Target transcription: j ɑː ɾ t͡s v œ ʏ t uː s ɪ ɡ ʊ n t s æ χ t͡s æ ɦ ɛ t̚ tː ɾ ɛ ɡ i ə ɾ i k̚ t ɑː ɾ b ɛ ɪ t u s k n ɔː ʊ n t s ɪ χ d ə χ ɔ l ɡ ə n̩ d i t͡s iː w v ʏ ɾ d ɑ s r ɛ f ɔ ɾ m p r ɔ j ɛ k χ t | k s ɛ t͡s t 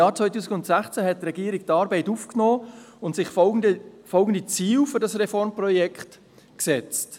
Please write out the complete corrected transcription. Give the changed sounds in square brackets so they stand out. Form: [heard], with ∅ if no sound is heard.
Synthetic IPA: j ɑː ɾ t͡s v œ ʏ t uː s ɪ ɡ ʊ n t s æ χ t͡s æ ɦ ɛ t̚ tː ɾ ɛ ɡ i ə ɾ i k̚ t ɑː ɾ b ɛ ɪ t u [f] k n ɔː ʊ n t s ɪ χ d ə [f] ɔ l ɡ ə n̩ d i t͡s iː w [f] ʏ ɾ d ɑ s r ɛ f ɔ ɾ m p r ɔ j ɛ k χ t | k s ɛ t͡s t